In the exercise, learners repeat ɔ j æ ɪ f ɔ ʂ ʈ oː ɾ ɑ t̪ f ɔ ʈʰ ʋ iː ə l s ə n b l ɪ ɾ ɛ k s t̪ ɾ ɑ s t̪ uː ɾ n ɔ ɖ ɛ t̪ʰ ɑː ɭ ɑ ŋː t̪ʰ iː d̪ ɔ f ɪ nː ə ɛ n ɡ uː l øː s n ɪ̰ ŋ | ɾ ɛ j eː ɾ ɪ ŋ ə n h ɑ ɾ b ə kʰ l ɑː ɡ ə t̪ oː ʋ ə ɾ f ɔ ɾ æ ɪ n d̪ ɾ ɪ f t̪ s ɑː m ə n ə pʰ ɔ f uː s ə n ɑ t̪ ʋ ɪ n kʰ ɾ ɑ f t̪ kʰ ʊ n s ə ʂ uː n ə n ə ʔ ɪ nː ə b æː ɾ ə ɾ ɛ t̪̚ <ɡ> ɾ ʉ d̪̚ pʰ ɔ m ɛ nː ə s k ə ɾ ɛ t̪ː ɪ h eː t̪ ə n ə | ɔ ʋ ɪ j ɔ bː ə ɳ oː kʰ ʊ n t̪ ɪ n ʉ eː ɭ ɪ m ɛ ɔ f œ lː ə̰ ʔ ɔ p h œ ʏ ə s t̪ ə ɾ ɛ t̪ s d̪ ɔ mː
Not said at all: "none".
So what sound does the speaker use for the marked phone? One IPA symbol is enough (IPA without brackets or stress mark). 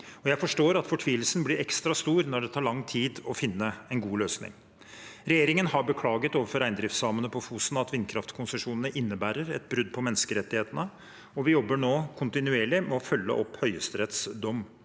b